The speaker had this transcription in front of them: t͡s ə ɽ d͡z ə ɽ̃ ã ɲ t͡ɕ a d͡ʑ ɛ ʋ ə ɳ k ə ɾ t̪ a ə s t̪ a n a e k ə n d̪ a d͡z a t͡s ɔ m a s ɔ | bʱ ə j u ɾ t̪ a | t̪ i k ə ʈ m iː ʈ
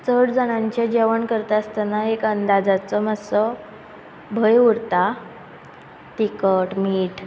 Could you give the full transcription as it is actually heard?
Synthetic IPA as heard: t͡s ə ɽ d͡z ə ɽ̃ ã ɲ t͡ɕ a d͡ʑ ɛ ʋ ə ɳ k ə ɾ t̪ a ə s t̪ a n a e k ə n d̪ a d͡z a t͡s ɔ m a s ɔ | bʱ ə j u ɾ t̪ a | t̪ i k ə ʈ m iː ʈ